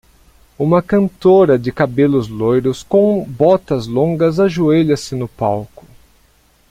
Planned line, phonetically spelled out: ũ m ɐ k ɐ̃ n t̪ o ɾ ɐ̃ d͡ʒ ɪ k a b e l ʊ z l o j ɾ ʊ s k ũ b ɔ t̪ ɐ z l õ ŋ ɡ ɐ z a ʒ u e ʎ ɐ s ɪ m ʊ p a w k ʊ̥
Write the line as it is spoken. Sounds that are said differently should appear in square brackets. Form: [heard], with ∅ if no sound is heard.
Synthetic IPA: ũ m ɐ k ɐ̃ n t̪ o ɾ [ɐ] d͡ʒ ɪ k a b e l ʊ z l o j ɾ ʊ s k [õ] b ɔ t̪ ɐ z l õ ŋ ɡ ɐ z a ʒ u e ʎ ɐ s ɪ [n] ʊ p a w k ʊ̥